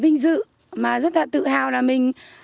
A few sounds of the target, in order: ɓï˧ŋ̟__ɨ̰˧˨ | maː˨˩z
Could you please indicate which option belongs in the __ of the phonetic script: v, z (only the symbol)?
z